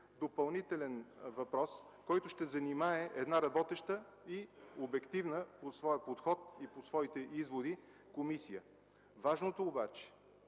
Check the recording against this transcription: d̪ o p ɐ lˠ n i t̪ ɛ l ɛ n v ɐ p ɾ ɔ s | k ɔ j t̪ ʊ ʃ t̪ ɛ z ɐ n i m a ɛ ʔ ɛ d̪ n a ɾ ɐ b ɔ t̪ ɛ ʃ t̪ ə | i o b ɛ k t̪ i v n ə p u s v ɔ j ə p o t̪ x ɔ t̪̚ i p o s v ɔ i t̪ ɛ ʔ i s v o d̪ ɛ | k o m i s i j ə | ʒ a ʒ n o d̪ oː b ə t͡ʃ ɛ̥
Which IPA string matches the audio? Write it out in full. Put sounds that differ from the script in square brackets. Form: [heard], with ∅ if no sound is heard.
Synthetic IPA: d̪ o p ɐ lˠ n i t̪ ɛ l ɛ n v ɐ p ɾ ɔ s | k ɔ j t̪ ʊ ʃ t̪ ɛ z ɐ n i m a ɛ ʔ ɛ d̪ n a ɾ ɐ b ɔ t̪ ɛ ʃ t̪ ə | i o b ɛ k t̪ i v n ə p [o] s v ɔ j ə p o t̪ x ɔ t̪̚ i p o s v ɔ i t̪ ɛ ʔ i [z] v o d̪ [i] | k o m i s i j ə | [v] a ʒ n o [t̪] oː b [a] t͡ʃ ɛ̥